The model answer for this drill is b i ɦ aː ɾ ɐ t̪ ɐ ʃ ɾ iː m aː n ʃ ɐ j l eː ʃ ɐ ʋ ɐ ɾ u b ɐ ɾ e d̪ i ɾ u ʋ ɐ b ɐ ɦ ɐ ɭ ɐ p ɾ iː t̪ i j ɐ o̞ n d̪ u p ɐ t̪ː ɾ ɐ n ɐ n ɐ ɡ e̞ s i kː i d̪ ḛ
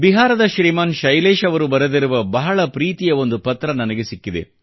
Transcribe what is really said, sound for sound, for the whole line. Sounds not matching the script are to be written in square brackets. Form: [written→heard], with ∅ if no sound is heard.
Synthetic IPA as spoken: b i ɦ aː ɾ ɐ [t̪→d̪] ɐ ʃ ɾ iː m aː n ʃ ɐ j l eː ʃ ɐ ʋ ɐ ɾ u b ɐ ɾ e d̪ i ɾ u ʋ ɐ b ɐ ɦ ɐ ɭ ɐ p ɾ iː t̪ i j ɐ o̞ n d̪ u p ɐ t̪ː ɾ ɐ n ɐ n ɐ ɡ e̞ s i kː i d̪ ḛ